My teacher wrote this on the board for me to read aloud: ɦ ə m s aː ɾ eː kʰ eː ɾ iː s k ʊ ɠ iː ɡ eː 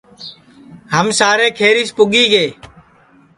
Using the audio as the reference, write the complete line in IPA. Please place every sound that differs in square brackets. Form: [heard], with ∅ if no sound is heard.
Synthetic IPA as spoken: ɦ ə m s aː ɾ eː kʰ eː ɾ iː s [p] ʊ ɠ iː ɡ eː